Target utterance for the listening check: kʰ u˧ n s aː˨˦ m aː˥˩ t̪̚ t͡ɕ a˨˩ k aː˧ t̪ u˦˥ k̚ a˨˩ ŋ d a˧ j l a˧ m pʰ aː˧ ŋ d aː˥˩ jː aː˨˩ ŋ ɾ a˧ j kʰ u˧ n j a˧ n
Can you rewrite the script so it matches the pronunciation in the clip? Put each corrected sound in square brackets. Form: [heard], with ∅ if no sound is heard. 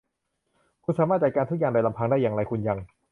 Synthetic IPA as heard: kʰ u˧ n s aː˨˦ m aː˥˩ t̪̚ t͡ɕ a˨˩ k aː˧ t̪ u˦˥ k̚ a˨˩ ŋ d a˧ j l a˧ m pʰ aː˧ ŋ d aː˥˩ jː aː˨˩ ŋ ɾ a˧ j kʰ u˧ n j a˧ [ŋ]